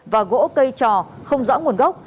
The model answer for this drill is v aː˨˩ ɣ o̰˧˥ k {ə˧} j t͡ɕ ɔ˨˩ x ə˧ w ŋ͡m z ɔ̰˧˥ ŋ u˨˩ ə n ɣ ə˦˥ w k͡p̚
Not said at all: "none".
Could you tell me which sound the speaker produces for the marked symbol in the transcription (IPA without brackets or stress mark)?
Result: ə˧